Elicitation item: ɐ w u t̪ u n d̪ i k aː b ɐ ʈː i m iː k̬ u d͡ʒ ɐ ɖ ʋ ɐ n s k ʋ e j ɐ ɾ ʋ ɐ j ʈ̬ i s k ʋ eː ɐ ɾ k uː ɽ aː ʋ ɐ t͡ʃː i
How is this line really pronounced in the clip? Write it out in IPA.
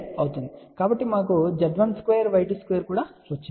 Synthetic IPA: ɐ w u t̪ u n d̪ i k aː b ɐ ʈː i m aː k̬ u d͡ʒ ɐ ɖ ʋ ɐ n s k ʋ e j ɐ ɾ ʋ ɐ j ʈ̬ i s k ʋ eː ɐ ɾ k uː ɽ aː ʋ ɐ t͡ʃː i